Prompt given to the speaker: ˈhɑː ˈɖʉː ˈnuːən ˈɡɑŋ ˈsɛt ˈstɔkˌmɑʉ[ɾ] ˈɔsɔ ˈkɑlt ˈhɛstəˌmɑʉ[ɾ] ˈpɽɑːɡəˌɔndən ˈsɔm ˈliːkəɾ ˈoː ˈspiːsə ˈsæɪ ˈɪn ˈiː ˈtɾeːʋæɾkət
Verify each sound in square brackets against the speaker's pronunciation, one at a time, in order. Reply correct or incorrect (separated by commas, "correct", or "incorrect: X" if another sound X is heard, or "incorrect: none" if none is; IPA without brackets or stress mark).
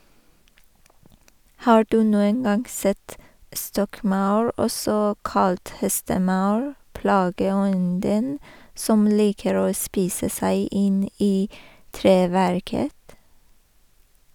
incorrect: ɹ, incorrect: ɹ